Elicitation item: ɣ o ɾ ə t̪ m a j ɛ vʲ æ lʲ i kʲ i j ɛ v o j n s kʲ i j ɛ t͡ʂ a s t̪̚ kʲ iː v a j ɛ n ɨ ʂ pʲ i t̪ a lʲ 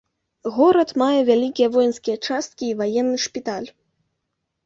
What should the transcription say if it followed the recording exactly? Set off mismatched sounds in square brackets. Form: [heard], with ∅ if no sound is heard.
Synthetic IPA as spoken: ɣ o ɾ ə t̪ m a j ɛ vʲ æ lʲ i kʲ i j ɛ v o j n s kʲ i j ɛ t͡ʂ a s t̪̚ kʲ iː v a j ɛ [nː] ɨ ʂ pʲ i t̪ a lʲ